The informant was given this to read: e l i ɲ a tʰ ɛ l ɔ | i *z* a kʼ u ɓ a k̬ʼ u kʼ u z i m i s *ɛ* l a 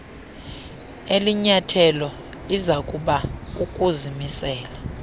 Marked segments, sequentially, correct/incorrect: correct, incorrect

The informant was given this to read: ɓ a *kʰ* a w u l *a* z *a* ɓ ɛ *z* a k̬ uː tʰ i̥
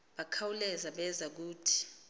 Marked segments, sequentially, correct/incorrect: correct, incorrect, correct, correct

